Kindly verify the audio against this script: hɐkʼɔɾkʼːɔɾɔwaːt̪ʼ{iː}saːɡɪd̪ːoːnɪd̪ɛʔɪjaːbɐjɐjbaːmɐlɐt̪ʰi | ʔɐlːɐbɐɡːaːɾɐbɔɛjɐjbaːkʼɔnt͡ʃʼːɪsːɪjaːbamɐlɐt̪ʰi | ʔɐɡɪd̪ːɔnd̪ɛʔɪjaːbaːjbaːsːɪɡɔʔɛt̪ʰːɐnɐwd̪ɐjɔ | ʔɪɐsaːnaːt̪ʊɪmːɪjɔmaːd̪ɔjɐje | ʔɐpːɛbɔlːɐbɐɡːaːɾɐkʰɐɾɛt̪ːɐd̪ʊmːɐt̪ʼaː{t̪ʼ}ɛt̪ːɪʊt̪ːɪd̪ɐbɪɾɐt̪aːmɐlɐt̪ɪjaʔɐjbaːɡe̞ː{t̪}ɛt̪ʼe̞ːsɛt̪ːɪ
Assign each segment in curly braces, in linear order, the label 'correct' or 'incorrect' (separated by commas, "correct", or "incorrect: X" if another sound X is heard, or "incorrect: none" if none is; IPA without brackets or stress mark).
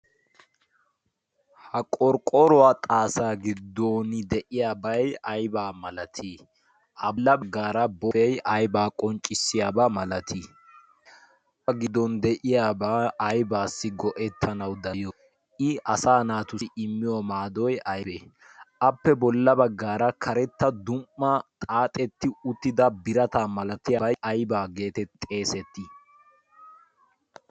incorrect: aː, correct, correct